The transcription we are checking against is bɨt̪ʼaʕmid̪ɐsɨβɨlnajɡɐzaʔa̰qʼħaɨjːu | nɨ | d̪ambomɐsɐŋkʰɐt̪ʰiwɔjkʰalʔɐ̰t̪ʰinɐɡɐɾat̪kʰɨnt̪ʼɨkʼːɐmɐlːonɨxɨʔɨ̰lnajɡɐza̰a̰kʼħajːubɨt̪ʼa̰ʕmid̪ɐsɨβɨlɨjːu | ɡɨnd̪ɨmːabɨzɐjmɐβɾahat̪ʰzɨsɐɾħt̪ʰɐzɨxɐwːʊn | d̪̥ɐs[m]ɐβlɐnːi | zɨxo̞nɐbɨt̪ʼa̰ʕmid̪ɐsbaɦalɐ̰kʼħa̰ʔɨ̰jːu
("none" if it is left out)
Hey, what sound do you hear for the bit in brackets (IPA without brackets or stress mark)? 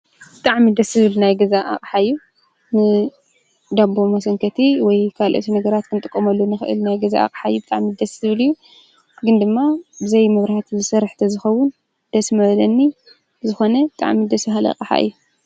m